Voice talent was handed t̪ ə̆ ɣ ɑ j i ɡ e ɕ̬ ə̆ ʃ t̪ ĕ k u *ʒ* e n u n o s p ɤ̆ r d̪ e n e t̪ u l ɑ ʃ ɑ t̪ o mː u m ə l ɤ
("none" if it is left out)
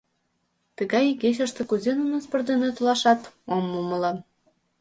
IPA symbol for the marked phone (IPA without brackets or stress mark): z